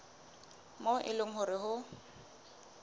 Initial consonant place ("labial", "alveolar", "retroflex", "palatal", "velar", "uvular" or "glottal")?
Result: labial